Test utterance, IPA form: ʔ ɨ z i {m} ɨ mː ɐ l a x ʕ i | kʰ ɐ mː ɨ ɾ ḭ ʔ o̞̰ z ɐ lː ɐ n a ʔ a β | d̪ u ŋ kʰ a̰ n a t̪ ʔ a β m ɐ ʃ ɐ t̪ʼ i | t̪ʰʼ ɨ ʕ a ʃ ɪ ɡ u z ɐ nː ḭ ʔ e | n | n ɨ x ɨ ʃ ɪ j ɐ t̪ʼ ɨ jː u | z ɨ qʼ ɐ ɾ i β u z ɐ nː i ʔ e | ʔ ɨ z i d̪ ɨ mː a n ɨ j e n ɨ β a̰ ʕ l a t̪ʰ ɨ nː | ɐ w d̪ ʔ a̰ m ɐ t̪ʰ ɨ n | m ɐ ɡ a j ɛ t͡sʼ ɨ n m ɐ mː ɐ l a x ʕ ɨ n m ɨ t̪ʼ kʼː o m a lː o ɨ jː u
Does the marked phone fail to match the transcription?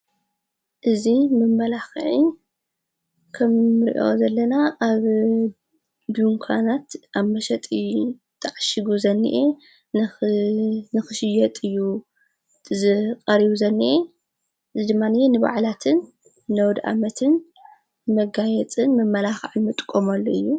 no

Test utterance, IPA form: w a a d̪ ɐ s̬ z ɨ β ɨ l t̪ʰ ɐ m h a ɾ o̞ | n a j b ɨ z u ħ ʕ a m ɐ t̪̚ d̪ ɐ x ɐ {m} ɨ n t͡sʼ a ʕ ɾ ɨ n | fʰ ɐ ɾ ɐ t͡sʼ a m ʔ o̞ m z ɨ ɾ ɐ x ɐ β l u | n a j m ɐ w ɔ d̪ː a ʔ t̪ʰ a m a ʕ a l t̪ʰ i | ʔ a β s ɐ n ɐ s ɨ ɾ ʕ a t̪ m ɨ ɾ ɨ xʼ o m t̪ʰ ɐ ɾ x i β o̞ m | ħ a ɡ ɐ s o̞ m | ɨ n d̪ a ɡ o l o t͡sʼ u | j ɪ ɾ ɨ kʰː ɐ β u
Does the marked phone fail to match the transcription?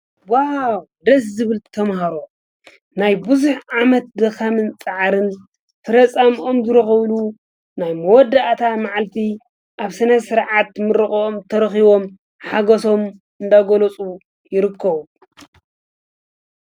no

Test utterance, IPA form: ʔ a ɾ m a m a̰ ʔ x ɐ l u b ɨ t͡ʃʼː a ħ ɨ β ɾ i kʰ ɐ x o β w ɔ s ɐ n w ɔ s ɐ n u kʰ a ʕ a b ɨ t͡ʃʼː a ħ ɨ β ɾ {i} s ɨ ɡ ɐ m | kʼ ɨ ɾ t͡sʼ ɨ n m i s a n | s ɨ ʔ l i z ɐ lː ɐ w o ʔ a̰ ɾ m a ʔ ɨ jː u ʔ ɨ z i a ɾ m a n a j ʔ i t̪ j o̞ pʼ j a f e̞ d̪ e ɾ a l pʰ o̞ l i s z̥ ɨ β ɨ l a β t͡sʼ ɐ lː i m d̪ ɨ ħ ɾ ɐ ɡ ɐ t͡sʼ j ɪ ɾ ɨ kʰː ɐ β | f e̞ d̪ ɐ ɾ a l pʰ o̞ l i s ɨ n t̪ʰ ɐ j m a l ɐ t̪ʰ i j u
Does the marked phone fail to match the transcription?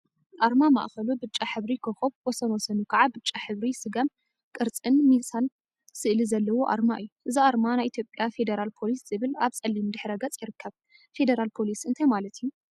no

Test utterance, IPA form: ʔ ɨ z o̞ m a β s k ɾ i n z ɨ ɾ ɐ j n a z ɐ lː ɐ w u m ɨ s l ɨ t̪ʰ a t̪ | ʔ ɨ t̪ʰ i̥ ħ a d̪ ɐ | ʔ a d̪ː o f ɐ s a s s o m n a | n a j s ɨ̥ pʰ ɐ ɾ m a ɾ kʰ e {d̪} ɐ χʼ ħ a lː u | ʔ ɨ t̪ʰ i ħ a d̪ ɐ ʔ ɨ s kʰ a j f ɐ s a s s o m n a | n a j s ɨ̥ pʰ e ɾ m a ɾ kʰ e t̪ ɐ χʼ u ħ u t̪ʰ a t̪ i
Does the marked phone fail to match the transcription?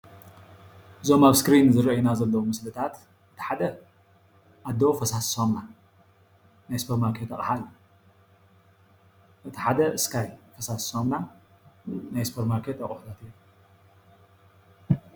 yes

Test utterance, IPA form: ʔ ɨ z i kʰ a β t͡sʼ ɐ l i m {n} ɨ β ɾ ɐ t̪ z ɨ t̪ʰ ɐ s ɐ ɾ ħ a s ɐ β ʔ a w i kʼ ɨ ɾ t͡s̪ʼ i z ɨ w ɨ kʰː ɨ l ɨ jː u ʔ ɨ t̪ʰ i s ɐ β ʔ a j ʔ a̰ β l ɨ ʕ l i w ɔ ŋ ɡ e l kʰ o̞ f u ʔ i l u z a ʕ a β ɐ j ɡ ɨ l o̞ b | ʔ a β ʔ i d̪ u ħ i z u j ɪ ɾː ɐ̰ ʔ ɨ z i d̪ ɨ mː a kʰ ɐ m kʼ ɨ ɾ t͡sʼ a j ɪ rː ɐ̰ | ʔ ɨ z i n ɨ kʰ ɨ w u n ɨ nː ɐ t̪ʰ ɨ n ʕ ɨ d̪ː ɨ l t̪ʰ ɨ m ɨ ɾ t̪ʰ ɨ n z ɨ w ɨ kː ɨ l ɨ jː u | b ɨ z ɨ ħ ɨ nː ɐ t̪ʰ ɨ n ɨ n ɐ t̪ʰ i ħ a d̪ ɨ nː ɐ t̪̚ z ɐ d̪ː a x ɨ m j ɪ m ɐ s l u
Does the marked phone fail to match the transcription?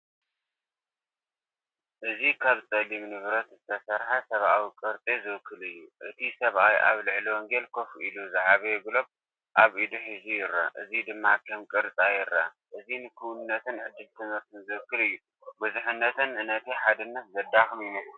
no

